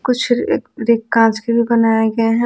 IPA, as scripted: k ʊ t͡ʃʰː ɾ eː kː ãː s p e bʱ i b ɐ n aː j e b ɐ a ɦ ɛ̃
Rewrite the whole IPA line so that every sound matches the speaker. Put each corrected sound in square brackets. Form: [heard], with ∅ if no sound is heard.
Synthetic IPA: k ʊ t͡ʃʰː ɾ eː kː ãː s [k] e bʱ i b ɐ n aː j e [ɡ] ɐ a ɦ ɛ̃